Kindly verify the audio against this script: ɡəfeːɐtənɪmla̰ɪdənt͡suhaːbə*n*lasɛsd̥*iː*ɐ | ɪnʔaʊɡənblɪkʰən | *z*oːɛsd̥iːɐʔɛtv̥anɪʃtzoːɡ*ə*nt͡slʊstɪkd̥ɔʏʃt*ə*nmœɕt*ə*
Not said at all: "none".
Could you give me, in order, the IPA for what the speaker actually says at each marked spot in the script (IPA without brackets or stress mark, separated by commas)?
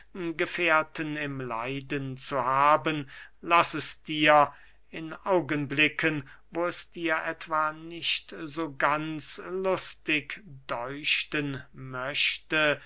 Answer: n, iː, v, a, ə, ə